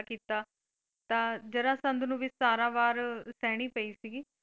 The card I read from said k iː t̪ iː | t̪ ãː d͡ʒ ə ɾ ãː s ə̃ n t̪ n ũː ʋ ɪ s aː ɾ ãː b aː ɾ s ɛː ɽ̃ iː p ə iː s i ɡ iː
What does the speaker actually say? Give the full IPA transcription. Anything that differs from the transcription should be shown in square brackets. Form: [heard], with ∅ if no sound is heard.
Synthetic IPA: k iː t̪ [aː] | t̪ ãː d͡ʒ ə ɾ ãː s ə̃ n [d̪] n ũː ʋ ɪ s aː ɾ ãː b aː ɾ s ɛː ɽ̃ iː p ə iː s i ɡ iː

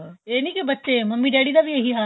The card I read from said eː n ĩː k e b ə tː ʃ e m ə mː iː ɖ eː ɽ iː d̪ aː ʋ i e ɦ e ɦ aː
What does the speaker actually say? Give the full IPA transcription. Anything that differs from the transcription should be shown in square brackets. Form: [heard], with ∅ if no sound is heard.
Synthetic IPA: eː n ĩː k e b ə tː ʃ e m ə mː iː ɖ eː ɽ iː d̪ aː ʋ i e ɦ [i] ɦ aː

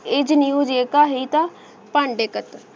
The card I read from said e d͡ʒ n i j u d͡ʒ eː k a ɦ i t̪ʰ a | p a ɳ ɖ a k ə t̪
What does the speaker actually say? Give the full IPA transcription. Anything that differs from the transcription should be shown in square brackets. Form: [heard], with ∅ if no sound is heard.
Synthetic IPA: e d͡ʒ n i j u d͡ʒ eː k a ɦ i [t̪] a | p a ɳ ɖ [e] k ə t̪

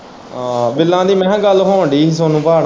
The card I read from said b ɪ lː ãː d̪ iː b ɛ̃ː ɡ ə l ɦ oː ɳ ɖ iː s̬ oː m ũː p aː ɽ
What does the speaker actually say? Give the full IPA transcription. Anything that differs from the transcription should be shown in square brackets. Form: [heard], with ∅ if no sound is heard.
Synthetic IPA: b ɪ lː ãː d̪ iː [m] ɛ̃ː ɡ ə l ɦ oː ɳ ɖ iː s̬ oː [n] ũː p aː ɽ

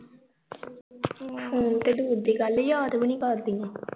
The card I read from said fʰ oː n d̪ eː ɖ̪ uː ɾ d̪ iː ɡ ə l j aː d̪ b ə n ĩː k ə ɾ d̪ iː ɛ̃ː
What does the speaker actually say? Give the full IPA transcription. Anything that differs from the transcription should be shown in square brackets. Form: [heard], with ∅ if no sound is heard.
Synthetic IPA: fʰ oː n [t̪] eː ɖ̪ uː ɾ d̪ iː ɡ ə l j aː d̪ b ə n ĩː k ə ɾ d̪ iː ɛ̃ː

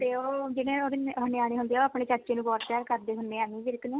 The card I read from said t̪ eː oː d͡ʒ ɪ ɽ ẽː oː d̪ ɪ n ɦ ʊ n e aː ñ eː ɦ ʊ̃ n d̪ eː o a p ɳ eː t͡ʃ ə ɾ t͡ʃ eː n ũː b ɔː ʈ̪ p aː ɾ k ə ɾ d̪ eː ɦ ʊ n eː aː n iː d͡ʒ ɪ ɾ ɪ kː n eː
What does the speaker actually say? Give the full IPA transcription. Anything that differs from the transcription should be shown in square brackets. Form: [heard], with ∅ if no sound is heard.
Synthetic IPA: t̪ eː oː d͡ʒ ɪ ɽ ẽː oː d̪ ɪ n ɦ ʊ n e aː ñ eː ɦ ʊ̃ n d̪ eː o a p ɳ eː t͡ʃ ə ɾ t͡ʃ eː n ũː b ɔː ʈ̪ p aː ɾ k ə ɾ d̪ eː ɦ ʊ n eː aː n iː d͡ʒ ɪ ɾ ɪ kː n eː

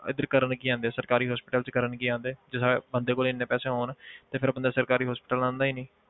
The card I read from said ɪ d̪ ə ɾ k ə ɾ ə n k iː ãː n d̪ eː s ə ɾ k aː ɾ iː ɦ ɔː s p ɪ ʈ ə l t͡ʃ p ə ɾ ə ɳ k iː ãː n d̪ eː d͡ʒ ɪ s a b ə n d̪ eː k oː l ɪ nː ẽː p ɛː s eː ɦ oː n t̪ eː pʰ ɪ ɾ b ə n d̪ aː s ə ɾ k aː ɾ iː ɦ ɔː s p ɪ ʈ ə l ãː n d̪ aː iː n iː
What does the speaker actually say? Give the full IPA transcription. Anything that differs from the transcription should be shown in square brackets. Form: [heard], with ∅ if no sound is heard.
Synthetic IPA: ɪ d̪ ə ɾ k ə ɾ ə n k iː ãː n d̪ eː s ə ɾ k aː ɾ iː ɦ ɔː s p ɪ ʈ ə l t͡ʃ [k] ə ɾ ə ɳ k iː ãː n d̪ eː d͡ʒ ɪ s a b ə n d̪ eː k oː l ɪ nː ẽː p ɛː s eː ɦ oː n t̪ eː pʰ ɪ ɾ b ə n d̪ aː s ə ɾ k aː ɾ iː ɦ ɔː s p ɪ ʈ ə l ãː n d̪ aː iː n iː

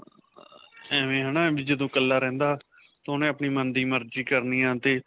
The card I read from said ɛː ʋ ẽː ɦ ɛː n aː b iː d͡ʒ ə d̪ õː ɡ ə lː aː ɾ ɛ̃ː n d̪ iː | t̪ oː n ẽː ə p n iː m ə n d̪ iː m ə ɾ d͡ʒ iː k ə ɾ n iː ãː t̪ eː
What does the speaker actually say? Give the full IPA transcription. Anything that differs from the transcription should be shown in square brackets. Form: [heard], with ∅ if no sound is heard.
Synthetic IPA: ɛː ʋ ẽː ɦ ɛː n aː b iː d͡ʒ ə d̪ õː [k] ə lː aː ɾ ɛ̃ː n d̪ [aː] | t̪ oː n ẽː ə p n iː m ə n d̪ iː m ə ɾ d͡ʒ iː k ə ɾ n iː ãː t̪ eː

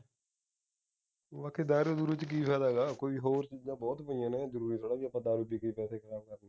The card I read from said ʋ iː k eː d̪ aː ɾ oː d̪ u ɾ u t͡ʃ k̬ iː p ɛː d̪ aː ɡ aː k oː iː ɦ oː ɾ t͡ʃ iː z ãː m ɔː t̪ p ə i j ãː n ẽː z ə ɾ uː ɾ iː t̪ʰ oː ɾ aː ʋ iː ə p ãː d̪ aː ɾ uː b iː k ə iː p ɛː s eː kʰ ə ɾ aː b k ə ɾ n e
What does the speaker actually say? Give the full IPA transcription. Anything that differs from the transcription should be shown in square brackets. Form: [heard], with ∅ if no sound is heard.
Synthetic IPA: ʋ [aː] k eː d̪ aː ɾ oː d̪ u ɾ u t͡ʃ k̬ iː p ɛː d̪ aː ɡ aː k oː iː ɦ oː ɾ t͡ʃ iː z ãː [b] ɔː t̪ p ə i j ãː n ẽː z ə ɾ uː ɾ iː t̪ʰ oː [ɽ] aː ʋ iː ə p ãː d̪ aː ɾ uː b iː k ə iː p ɛː s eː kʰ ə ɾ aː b k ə ɾ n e

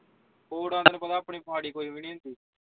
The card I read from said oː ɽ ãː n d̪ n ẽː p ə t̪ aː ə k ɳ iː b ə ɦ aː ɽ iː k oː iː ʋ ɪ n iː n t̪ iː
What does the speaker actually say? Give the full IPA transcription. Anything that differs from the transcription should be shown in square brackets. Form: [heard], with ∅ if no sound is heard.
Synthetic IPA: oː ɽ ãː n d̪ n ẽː p ə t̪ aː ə [p] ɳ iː [p] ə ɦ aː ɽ iː k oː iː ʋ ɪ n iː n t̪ iː

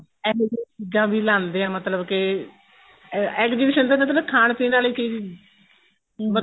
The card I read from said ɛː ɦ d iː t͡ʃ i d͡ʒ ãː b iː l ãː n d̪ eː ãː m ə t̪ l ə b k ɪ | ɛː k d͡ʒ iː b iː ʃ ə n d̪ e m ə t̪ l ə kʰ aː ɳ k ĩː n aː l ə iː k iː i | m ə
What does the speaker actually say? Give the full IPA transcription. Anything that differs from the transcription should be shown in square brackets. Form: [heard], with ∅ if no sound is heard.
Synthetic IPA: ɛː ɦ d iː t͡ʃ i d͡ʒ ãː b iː l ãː n d̪ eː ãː m ə t̪ l ə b k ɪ | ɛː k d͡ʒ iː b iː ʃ ə n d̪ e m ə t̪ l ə kʰ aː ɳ [p] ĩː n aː l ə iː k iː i | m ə

